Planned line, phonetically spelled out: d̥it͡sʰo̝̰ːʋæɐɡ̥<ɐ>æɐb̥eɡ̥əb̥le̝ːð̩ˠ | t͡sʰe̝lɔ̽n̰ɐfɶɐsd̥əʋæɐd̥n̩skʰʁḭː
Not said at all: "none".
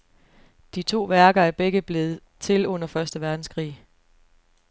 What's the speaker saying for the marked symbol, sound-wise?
ɐ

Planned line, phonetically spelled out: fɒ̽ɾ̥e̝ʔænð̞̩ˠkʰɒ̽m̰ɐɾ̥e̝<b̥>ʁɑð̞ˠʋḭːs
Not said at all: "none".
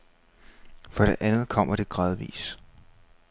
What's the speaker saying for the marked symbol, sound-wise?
ɡ̥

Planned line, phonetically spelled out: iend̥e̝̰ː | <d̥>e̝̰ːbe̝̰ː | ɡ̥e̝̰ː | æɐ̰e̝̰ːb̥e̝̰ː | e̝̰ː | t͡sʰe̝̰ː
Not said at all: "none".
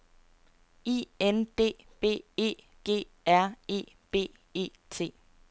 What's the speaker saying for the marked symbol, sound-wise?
b̥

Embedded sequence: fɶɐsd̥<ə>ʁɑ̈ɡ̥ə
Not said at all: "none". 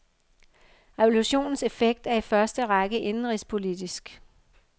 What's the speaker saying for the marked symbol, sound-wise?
ə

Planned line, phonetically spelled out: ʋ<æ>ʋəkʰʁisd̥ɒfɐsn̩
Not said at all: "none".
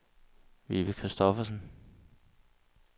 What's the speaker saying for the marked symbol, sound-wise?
i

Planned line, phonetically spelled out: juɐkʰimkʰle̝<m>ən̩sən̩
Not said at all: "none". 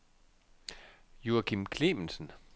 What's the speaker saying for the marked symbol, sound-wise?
m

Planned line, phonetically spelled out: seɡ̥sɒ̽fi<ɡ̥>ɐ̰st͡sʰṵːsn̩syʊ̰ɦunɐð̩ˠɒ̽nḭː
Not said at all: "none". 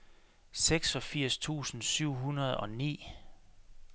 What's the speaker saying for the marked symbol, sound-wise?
none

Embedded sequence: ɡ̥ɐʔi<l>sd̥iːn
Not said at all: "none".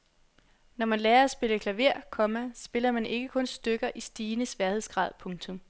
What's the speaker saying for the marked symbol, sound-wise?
none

